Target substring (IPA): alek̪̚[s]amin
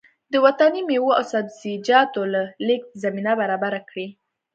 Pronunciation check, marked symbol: incorrect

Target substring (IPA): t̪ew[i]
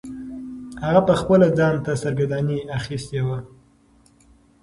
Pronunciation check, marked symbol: incorrect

